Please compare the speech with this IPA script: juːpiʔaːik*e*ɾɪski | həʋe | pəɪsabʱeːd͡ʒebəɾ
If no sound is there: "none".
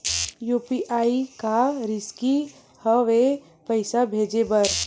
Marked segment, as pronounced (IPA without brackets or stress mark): a